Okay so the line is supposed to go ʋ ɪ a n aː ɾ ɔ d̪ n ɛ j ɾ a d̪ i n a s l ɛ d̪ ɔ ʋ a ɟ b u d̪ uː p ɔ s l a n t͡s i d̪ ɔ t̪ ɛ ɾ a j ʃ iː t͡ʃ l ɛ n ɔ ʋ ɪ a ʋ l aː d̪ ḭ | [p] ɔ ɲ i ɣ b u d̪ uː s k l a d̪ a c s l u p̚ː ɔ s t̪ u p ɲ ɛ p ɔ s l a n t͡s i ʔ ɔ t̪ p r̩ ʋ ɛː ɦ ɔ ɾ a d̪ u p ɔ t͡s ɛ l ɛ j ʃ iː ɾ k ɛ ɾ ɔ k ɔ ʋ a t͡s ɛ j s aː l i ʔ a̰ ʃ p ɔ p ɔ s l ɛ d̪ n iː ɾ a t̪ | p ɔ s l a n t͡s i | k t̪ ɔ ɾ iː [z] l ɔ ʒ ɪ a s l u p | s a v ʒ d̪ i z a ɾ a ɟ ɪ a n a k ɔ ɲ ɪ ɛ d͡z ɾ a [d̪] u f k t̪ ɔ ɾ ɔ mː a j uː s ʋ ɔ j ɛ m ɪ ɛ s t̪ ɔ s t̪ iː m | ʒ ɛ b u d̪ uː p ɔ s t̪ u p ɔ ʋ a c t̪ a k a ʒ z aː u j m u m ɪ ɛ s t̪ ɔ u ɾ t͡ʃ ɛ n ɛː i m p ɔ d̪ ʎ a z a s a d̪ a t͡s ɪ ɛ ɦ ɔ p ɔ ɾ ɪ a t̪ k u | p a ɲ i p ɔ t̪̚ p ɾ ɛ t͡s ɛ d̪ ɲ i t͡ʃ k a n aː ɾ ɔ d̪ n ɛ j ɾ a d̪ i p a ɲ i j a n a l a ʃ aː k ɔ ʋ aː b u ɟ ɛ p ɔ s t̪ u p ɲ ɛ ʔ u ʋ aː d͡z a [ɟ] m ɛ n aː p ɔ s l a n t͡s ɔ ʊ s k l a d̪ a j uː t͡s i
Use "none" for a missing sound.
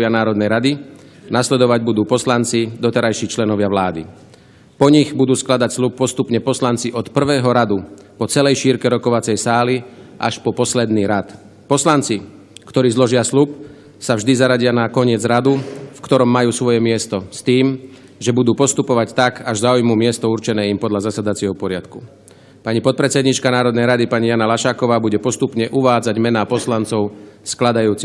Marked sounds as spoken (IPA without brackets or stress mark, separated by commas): p, z, d̪, ɟ